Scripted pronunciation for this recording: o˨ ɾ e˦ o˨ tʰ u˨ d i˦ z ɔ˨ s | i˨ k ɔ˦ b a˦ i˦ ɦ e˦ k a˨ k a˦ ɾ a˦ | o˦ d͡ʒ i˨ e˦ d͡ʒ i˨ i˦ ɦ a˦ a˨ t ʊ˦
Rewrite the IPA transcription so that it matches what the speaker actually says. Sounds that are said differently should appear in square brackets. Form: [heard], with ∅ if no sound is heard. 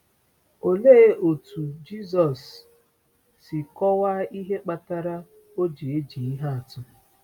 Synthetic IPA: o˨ [l] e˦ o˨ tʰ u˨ [d͡ʒ] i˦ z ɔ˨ s | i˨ k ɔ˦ [w] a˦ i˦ ɦ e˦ [k͡p] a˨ [t] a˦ ɾ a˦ | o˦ d͡ʒ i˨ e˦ d͡ʒ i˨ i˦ ɦ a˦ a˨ t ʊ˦